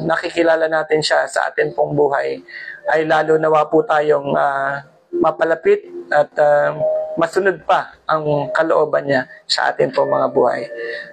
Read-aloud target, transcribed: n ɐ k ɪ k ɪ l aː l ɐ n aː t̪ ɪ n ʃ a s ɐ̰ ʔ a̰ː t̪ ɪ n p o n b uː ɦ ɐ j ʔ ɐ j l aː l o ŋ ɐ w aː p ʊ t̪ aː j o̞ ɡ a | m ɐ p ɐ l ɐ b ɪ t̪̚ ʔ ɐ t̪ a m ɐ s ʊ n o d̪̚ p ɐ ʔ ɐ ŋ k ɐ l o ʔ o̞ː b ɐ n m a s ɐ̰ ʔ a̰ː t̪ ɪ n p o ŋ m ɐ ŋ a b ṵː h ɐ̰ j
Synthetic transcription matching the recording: n ɐ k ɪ k ɪ l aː l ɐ n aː t̪ ɪ n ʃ a s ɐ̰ ʔ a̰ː t̪ ɪ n p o ŋ b uː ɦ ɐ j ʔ ɐ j l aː l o n ɐ w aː p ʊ t̪ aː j o̞ ŋ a | m ɐ p ɐ l ɐ p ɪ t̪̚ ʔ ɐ t̪ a m ɐ s ʊ n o d̪̚ p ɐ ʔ ɐ ŋ k ɐ l o ʔ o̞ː b ɐ n ɲ a s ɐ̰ ʔ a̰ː t̪ ɪ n p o ŋ m ɐ ŋ a b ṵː h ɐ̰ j